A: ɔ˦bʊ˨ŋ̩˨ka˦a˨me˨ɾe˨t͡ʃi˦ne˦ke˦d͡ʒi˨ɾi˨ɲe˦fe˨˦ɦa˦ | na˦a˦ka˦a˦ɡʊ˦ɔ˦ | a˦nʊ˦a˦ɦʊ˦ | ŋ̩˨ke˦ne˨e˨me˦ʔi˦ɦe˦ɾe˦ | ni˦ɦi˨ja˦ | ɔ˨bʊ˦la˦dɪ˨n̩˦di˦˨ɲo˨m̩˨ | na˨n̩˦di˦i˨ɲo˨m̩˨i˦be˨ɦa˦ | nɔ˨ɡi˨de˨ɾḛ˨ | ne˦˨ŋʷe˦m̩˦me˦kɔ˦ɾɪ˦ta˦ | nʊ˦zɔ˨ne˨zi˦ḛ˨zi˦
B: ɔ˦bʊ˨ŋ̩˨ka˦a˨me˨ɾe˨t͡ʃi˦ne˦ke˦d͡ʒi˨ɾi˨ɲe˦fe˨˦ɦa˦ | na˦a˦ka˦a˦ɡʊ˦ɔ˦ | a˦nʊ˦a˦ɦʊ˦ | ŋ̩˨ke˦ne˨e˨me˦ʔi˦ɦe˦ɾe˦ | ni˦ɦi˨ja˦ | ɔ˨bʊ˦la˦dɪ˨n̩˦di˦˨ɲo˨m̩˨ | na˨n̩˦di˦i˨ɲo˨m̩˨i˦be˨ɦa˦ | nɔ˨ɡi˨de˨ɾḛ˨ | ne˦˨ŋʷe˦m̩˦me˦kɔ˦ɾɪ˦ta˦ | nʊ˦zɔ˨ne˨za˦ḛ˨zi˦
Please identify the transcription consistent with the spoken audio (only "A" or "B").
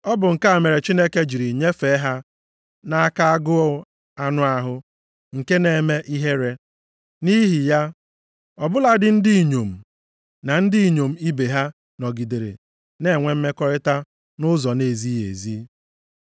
A